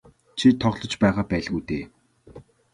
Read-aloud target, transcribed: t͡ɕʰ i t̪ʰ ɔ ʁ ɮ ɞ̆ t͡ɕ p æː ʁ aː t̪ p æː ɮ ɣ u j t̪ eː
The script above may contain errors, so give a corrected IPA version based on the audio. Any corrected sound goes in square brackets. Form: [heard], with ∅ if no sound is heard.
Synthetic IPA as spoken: t͡ɕʰ i t̪ʰ ɔ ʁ ɮ ɞ̆ t͡ɕ p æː ʁ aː [∅] p æː ɮ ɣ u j t̪ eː